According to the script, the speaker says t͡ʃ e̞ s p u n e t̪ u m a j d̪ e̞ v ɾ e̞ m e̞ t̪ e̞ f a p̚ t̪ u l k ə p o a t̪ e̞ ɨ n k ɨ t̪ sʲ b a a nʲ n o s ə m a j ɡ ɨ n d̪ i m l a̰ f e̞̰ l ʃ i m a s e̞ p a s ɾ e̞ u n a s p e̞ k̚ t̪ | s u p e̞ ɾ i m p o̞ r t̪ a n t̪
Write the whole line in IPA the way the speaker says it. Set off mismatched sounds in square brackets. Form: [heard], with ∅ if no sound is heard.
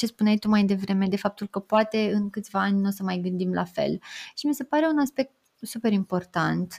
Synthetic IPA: t͡ʃ e̞ s p u n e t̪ u m a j d̪ e̞ v ɾ e̞ m e̞ [d̪] e̞ f a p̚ t̪ u l k ə p o a t̪ e̞ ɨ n k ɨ t̪ sʲ [v] a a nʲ n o s ə m a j ɡ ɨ n d̪ i m l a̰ f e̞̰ l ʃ i m [i] s e̞ p a [∅] ɾ e̞ u n a s p e̞ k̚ t̪ | s u p e̞ ɾ i m p o̞ r t̪ a n t̪